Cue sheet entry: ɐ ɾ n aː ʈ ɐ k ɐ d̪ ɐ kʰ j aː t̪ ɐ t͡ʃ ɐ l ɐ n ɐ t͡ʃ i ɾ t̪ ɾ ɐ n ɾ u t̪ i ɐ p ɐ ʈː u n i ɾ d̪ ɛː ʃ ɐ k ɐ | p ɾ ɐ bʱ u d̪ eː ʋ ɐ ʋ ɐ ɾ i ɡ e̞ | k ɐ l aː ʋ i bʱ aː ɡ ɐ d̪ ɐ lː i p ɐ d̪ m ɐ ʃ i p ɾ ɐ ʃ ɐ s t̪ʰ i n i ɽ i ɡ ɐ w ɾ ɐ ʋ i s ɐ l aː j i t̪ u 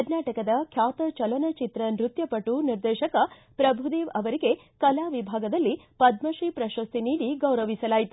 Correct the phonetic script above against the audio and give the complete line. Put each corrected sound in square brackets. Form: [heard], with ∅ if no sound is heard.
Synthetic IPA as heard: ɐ ɾ n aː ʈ ɐ k ɐ d̪ ɐ kʰ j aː t̪ ɐ t͡ʃ ɐ l ɐ n ɐ t͡ʃ i [∅] t̪ ɾ ɐ n ɾ u t̪ [j] ɐ p ɐ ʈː u n i ɾ d̪ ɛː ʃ ɐ k ɐ | p ɾ ɐ bʱ u d̪ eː ʋ ɐ ʋ ɐ ɾ i ɡ e̞ | k ɐ l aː ʋ i bʱ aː ɡ ɐ d̪ ɐ lː i p ɐ d̪ m ɐ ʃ i p ɾ ɐ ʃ ɐ s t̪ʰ i n [iː] ɽ i ɡ ɐ w ɾ ɐ ʋ i s ɐ l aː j i t̪ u

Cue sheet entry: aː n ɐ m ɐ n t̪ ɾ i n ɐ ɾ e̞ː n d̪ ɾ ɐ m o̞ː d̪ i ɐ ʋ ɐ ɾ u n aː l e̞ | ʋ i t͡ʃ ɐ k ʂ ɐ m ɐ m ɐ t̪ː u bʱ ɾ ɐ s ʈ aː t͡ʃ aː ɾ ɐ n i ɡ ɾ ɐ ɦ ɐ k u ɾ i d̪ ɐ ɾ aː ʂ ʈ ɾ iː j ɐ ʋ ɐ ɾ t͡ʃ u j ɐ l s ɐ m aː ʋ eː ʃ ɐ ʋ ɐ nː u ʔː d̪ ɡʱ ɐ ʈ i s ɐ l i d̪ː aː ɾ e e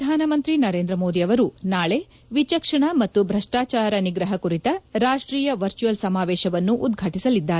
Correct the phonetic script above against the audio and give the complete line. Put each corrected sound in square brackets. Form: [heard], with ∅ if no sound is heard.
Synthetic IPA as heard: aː n ɐ m ɐ n t̪ ɾ i n ɐ ɾ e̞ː n d̪ ɾ ɐ m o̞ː d̪ i ɐ ʋ ɐ ɾ u n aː [ɭ] e̞ | ʋ i t͡ʃ ɐ k ʂ ɐ [ɳ] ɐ m ɐ t̪ː u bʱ ɾ ɐ [ʂ] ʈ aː t͡ʃ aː ɾ ɐ n i ɡ ɾ ɐ ɦ ɐ k u ɾ i [t̪] ɐ ɾ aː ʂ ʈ ɾ iː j ɐ ʋ ɐ ɾ t͡ʃ u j ɐ l s ɐ m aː ʋ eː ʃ ɐ ʋ ɐ nː u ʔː d̪ ɡʱ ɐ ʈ i s ɐ l i d̪ː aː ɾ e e

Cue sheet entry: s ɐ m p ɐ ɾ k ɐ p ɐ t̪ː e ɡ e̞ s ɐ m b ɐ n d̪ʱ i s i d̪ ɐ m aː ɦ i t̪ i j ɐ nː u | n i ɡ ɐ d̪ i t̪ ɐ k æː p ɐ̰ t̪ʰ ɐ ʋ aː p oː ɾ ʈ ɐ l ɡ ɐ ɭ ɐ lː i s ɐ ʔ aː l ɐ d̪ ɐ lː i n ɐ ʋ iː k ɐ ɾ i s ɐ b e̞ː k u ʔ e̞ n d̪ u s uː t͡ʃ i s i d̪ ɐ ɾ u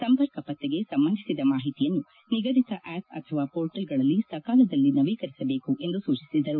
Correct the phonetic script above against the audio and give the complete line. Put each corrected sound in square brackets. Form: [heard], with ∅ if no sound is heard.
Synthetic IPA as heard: s ɐ m p ɐ ɾ k ɐ p ɐ t̪ː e ɡ e̞ s ɐ m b ɐ n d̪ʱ i s i d̪ ɐ m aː ɦ i t̪ i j ɐ nː u | n i ɡ ɐ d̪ i t̪ ɐ [ʔ] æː p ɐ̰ t̪ʰ ɐ ʋ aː p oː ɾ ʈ ɐ l ɡ ɐ ɭ ɐ lː i s ɐ [k] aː l ɐ d̪ ɐ lː i n ɐ ʋ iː k ɐ ɾ i s ɐ b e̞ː k u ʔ e̞ n d̪ u s uː t͡ʃ i s i d̪ ɐ ɾ u

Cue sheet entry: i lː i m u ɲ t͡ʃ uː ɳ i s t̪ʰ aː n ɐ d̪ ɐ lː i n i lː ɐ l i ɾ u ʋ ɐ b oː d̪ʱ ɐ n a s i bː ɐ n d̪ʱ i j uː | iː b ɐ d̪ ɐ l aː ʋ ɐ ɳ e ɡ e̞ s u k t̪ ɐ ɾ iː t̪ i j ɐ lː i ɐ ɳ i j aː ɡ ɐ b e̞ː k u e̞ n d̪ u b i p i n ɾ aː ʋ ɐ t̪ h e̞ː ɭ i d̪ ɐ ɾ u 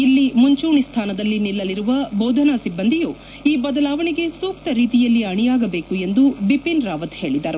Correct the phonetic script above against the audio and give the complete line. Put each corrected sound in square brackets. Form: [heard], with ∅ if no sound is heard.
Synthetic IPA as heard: i lː i m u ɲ t͡ʃ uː ɳ i s t̪ʰ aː n ɐ d̪ ɐ lː i n i lː ɐ l i ɾ u ʋ ɐ b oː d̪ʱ ɐ n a s i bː ɐ n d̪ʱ i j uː | iː b ɐ d̪ ɐ l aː ʋ ɐ ɳ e ɡ e̞ s [uː] k t̪ ɐ ɾ iː t̪ i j ɐ lː i ɐ ɳ i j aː ɡ ɐ b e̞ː k u e̞ n d̪ u b i p i n ɾ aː ʋ ɐ t̪ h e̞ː ɭ i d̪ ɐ ɾ u

